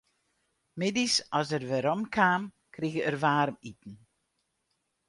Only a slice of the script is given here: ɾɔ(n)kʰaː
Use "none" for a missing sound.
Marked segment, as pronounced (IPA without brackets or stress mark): m